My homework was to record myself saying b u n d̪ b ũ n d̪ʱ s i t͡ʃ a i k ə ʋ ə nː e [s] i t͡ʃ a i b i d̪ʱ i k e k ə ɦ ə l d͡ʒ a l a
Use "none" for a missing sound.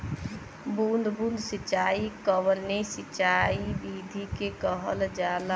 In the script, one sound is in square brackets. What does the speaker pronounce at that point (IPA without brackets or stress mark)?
s